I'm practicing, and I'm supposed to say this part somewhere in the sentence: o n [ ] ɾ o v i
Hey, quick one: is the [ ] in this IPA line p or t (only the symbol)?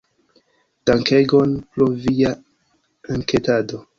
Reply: p